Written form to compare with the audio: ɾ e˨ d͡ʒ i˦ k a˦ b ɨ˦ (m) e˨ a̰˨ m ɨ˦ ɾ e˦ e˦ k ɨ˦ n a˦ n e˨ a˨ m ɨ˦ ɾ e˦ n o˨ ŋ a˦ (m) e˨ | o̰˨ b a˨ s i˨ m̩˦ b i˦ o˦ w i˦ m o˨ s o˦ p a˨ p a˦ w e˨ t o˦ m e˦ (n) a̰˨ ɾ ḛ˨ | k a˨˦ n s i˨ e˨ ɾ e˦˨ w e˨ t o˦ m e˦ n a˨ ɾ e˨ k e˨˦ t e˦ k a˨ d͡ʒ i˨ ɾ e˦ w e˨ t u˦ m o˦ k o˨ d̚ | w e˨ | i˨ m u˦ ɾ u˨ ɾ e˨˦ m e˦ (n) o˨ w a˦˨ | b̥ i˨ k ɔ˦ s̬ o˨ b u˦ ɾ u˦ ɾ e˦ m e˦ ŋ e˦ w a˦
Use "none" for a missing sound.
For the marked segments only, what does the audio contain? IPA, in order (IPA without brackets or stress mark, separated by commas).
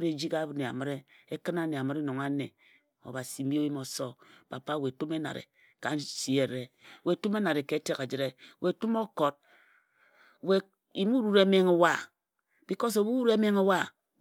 n, n, n, ŋ